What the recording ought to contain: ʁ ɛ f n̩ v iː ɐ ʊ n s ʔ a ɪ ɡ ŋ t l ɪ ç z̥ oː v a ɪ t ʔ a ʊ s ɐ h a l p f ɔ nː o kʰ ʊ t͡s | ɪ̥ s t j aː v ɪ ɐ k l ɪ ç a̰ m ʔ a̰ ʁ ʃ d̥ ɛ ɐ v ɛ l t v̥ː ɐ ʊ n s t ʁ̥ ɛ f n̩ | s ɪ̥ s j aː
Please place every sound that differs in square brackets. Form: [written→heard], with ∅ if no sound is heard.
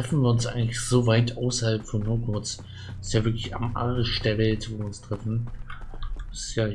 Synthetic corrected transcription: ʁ ɛ f n̩ v iː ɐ ʊ n s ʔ a ɪ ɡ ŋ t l ɪ ç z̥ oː v a ɪ t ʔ a ʊ s ɐ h a l p f ɔ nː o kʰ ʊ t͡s | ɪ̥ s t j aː v ɪ ɐ k l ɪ ç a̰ m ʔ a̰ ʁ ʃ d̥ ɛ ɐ v ɛ l t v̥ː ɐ ʊ n s t ʁ̥ ɛ f n̩ | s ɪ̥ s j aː